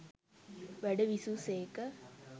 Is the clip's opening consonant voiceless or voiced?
voiced